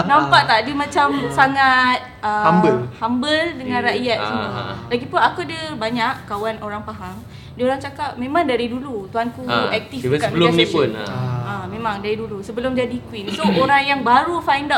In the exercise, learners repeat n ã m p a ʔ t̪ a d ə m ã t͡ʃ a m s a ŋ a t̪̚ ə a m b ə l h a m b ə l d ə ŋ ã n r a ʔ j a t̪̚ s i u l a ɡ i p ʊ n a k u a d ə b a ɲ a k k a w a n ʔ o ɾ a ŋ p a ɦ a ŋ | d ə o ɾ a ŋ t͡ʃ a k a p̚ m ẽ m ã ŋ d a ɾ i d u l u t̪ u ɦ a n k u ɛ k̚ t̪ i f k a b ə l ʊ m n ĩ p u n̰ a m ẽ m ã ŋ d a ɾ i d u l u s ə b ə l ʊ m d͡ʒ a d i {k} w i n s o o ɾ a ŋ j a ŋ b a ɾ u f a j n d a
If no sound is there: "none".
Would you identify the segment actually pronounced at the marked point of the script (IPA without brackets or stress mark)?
k